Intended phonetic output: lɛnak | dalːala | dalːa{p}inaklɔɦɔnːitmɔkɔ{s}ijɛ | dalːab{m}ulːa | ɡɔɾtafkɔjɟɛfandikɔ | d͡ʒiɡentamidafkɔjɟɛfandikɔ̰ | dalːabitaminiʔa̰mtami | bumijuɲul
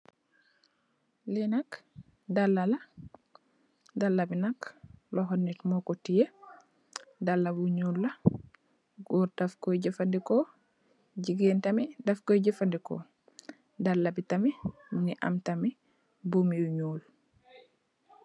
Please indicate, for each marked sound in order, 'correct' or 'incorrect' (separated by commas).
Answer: incorrect, incorrect, incorrect